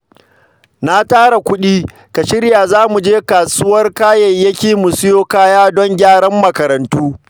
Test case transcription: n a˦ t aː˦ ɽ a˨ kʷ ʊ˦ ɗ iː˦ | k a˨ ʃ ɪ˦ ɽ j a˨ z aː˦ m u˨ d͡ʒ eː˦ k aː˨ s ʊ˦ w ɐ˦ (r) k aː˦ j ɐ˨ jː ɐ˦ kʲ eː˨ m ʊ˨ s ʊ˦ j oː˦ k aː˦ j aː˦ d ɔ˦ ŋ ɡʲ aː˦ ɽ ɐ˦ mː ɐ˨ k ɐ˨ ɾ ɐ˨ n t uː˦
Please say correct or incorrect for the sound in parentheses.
correct